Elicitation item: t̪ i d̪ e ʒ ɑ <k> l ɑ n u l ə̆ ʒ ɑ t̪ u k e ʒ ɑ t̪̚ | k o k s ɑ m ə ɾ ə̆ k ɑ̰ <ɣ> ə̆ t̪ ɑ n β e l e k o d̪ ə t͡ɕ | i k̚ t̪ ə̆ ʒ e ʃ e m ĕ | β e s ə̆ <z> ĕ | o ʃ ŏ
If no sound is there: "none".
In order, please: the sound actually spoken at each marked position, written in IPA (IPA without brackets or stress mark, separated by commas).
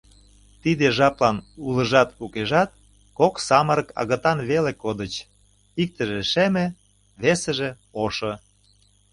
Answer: p, ɣ, ʒ